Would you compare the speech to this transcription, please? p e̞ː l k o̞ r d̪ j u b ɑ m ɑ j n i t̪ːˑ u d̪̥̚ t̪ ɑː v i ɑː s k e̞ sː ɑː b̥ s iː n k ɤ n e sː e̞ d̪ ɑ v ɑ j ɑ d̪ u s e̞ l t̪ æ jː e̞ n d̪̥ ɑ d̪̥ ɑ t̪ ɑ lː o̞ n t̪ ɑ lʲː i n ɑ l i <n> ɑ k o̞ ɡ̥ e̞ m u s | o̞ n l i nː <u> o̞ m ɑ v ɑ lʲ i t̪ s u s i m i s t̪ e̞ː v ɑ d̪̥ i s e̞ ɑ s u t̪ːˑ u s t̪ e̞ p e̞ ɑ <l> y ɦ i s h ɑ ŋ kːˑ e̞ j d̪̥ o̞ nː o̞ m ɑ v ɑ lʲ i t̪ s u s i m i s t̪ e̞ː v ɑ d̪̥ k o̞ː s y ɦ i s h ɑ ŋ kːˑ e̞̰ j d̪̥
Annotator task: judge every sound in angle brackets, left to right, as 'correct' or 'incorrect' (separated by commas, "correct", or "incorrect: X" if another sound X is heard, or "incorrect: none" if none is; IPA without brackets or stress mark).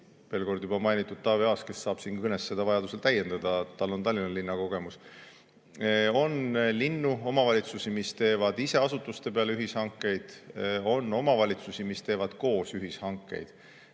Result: incorrect: nː, correct, correct